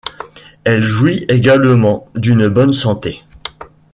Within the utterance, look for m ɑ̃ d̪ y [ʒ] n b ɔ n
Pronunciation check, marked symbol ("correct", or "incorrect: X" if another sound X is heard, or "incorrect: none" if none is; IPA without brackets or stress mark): incorrect: none